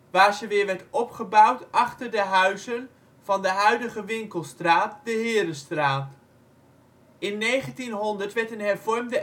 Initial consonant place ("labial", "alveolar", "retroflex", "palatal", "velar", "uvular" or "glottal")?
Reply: labial